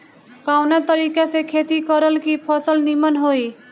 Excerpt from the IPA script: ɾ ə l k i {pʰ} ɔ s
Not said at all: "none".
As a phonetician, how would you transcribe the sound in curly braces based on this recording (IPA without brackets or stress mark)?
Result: pʰ